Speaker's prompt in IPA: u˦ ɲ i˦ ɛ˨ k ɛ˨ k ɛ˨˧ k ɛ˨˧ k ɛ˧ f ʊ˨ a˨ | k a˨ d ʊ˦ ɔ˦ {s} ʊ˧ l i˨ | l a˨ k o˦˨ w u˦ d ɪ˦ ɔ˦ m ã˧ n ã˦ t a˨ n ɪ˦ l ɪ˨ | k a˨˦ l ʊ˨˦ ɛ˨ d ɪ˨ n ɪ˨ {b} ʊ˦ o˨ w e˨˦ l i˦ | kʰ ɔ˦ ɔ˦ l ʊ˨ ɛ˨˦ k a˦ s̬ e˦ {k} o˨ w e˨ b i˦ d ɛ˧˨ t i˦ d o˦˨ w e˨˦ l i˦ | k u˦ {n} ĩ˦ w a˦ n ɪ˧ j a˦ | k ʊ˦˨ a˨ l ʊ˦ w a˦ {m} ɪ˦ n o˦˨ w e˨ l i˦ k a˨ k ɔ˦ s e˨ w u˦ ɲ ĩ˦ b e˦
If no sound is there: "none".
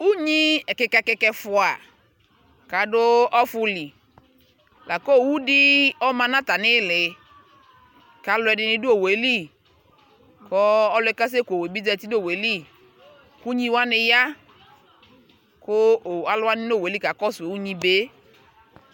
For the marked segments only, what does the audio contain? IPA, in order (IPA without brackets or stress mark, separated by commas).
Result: f, d, k, ɲ, n